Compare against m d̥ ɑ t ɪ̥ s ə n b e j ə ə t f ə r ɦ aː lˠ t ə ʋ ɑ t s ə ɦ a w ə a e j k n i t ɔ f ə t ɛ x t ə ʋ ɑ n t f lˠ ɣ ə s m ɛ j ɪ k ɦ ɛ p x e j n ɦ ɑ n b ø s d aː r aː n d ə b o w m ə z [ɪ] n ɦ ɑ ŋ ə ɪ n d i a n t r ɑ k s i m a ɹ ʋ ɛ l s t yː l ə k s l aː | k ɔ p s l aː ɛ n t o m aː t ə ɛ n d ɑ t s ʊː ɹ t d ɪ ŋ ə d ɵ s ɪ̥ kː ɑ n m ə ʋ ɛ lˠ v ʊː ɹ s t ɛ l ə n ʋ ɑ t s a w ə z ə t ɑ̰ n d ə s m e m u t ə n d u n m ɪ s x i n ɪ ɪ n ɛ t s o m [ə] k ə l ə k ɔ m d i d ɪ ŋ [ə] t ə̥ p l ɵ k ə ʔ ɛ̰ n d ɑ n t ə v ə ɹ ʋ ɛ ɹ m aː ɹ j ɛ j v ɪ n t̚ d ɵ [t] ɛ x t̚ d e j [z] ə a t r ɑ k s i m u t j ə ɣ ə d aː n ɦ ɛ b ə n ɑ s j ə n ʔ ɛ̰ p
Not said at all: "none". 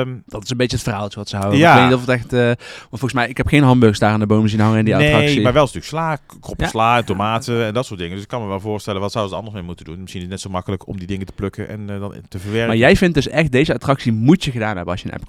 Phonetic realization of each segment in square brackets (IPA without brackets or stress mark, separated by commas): i, ɑ, ə, s, z